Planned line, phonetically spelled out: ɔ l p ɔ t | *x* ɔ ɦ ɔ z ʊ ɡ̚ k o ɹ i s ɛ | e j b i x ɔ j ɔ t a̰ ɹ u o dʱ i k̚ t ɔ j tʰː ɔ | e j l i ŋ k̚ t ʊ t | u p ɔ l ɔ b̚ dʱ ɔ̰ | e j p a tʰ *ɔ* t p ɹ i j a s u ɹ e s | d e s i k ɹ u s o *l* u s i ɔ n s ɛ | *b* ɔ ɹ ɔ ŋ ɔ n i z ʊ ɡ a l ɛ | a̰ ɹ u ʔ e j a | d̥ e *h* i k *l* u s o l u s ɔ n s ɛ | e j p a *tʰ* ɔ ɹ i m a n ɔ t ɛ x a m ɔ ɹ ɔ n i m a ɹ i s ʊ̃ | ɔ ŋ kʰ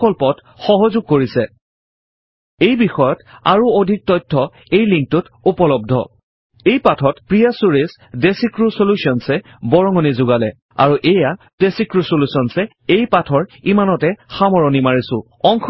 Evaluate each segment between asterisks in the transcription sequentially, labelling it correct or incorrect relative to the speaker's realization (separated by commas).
correct, correct, correct, correct, incorrect, incorrect, correct